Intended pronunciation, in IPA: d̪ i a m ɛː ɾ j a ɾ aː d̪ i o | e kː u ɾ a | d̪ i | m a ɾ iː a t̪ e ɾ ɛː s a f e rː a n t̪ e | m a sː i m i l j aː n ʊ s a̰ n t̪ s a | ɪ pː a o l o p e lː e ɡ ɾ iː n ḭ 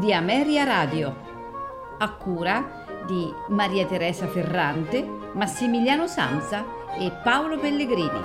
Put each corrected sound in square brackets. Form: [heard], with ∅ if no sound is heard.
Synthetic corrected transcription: d̪ i a m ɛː ɾ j a ɾ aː d̪ [j] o | [a] kː [uː] ɾ a | d̪ i | m a ɾ iː a t̪ e ɾ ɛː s a f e rː a n t̪ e | m a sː i m i l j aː n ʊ s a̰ n t̪ s a | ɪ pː a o l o p e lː e ɡ ɾ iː n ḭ